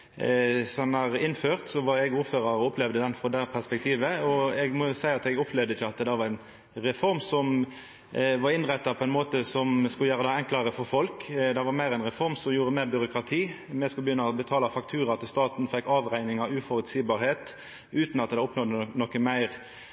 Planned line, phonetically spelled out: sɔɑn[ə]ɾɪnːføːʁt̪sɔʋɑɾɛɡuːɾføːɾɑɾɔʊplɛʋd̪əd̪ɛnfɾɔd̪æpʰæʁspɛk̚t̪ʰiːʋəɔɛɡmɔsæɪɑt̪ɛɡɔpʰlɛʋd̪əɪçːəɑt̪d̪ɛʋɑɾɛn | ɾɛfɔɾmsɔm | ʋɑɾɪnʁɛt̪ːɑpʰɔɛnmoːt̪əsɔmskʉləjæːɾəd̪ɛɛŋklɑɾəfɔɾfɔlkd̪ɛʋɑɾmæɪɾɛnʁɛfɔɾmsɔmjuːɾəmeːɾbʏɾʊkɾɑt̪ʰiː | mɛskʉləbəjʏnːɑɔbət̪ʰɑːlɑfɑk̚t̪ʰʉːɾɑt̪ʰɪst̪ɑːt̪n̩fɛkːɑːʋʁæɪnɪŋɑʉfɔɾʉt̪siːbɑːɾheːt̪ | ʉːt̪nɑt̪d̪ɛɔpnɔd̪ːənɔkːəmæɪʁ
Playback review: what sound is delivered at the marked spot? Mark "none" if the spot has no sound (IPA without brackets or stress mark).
ɑ